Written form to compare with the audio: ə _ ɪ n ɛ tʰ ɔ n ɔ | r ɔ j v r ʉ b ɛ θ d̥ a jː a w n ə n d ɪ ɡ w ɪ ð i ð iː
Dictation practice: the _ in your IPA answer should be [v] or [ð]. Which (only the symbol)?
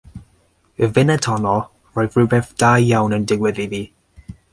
v